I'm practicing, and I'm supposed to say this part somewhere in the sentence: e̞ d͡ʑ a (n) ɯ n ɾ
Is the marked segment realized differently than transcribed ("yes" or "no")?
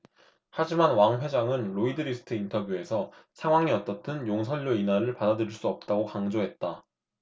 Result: yes